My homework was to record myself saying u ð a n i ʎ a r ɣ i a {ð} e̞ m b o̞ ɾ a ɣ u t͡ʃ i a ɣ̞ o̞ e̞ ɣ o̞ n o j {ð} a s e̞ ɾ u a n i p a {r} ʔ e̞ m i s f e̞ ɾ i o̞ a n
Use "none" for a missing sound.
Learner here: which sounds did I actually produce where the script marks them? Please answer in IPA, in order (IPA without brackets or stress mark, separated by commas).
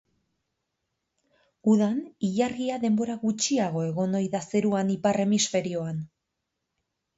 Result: ð, ð, r